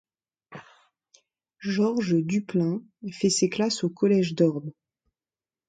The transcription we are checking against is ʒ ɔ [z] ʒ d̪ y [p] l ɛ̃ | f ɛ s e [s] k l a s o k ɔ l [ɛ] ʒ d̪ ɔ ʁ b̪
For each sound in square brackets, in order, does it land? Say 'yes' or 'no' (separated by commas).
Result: no, yes, no, yes